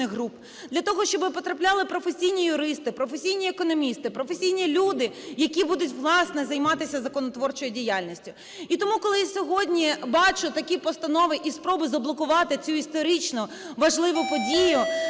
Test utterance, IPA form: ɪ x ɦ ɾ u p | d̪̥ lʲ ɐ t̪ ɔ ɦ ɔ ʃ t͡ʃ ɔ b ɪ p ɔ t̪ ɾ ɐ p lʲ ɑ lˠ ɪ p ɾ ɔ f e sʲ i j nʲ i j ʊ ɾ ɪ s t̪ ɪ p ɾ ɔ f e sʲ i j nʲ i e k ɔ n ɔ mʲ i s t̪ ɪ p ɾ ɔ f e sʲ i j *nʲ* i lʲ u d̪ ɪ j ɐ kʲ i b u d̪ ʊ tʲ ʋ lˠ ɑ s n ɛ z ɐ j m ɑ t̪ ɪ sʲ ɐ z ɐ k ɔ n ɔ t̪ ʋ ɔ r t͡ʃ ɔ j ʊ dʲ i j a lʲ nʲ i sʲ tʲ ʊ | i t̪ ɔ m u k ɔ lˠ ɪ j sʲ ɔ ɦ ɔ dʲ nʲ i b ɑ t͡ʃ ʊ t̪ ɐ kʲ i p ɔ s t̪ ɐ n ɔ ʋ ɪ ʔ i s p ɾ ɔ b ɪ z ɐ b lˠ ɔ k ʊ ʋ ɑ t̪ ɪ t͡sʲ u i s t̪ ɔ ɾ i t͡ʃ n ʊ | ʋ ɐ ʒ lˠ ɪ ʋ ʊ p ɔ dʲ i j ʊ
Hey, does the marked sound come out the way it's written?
yes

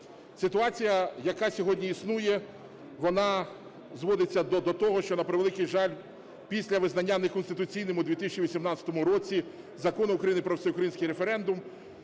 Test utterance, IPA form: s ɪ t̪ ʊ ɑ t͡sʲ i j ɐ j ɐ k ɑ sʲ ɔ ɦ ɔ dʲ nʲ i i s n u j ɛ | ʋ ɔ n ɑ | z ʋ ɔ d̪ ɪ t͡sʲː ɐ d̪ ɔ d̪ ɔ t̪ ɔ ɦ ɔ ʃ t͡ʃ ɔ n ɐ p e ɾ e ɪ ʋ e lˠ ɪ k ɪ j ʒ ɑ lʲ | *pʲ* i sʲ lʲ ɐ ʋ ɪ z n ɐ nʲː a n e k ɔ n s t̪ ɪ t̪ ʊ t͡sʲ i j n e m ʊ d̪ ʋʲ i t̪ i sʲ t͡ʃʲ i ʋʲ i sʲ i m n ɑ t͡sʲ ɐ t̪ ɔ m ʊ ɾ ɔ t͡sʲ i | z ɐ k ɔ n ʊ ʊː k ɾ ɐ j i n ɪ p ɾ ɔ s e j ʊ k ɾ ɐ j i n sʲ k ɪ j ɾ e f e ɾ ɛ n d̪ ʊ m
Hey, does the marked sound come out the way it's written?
yes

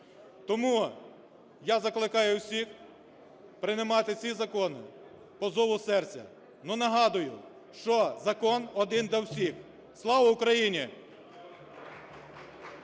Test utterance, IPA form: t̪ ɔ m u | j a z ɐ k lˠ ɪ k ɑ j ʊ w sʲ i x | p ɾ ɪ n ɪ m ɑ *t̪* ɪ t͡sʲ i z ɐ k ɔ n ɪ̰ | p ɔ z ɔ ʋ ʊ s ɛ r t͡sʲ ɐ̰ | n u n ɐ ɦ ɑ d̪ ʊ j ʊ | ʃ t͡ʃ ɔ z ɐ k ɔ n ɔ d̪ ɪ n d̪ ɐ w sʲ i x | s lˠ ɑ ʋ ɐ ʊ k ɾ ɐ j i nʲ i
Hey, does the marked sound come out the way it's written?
yes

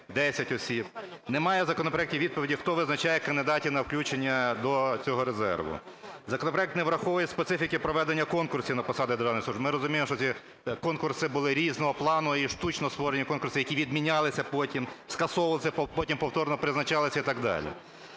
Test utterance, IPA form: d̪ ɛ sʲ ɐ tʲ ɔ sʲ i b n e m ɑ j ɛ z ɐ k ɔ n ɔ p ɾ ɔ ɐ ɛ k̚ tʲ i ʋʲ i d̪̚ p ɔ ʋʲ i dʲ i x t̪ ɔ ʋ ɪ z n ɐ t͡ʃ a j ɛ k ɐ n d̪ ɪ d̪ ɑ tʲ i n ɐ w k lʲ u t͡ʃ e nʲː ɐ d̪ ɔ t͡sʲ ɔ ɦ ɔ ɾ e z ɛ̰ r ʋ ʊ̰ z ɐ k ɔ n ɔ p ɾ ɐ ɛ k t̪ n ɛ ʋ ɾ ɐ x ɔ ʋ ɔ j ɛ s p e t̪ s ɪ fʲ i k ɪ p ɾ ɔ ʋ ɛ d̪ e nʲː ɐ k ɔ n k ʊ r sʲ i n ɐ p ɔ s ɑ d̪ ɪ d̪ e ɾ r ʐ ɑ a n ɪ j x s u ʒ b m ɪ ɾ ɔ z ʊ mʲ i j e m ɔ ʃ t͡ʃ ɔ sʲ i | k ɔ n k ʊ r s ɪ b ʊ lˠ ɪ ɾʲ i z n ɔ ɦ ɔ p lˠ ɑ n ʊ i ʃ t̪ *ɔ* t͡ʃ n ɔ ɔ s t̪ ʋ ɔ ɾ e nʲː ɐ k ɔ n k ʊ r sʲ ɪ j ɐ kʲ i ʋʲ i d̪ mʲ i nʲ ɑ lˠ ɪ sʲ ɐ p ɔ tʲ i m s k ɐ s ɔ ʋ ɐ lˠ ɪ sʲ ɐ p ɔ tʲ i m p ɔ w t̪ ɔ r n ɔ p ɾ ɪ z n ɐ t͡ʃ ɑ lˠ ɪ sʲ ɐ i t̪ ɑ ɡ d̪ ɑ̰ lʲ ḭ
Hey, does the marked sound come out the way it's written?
no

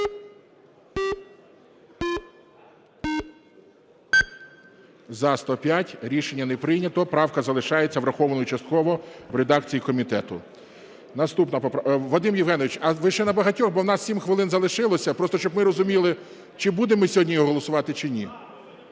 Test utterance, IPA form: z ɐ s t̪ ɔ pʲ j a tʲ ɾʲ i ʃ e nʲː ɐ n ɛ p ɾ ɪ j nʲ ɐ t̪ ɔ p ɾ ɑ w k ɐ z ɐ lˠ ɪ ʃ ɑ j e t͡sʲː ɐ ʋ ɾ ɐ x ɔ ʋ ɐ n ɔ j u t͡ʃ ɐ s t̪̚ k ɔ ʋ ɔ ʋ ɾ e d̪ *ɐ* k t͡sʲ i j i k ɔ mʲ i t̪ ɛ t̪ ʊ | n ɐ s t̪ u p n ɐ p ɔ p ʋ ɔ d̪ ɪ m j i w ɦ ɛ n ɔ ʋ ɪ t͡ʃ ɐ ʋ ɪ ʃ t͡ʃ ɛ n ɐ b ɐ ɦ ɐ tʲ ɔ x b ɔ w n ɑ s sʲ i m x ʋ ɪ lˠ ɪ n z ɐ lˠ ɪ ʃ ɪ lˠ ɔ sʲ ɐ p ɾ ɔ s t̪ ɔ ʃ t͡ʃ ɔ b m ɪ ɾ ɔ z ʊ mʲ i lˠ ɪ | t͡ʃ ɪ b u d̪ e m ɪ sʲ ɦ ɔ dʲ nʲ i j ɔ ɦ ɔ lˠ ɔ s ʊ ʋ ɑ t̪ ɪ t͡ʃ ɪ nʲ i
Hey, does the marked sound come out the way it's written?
no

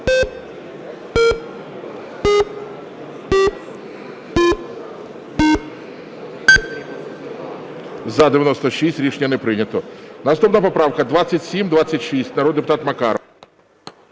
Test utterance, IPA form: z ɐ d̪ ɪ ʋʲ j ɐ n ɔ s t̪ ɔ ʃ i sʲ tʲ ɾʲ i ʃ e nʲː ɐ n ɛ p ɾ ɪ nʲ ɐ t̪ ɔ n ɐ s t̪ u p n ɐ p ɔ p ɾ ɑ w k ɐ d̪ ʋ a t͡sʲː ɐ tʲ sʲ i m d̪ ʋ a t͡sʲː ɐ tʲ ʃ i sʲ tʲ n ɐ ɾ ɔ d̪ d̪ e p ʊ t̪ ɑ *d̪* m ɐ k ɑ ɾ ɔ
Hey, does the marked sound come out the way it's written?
no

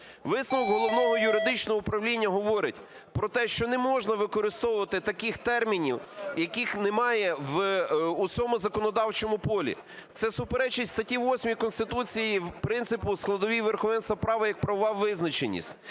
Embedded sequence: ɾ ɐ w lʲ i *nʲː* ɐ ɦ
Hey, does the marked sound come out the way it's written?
yes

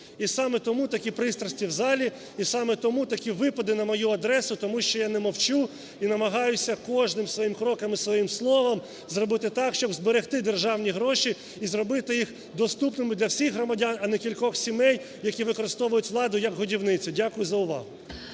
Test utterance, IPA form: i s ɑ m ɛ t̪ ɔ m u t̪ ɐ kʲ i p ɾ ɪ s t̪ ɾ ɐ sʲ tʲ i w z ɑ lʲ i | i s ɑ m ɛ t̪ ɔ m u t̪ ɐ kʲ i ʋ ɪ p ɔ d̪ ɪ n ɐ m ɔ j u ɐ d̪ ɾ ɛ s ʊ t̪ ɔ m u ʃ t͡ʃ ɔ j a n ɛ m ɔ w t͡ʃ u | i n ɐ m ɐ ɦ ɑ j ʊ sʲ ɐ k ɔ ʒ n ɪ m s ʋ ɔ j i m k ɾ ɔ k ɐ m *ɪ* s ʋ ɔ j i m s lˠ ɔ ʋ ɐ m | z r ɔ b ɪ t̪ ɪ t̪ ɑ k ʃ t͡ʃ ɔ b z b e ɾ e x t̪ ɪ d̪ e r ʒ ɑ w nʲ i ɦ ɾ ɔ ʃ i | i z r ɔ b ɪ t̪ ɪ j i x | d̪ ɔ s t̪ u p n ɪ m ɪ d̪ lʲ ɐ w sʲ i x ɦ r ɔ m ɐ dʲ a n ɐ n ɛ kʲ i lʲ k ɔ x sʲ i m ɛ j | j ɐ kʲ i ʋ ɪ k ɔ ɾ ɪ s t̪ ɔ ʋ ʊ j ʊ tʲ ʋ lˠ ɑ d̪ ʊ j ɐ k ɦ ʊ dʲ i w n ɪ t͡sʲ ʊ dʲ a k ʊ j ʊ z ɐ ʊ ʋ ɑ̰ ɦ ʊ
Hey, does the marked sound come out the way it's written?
no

